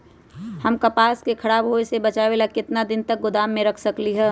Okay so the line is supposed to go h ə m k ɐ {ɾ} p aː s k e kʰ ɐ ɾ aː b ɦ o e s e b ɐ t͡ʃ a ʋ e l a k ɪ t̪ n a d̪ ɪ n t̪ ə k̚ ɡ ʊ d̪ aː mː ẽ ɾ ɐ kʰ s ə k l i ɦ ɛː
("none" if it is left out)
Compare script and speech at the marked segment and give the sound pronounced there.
none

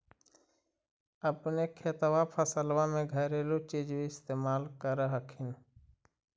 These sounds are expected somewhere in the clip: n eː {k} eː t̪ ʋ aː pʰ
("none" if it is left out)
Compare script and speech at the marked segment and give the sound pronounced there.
kʰ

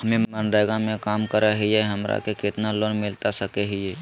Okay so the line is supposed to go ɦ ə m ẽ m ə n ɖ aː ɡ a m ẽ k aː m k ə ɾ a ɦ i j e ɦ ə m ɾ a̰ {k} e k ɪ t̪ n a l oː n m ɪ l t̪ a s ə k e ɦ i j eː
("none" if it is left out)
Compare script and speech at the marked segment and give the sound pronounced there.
k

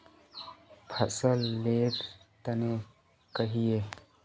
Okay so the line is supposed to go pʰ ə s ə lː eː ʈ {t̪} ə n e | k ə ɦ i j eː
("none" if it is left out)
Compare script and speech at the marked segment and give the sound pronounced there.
t̪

